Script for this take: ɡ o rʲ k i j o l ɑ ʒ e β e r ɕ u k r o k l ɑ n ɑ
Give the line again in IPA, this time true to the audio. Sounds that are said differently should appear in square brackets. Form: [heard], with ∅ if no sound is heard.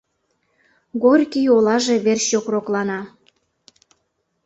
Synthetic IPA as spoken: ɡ o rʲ k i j o l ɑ ʒ e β e r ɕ [o] k r o k l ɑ n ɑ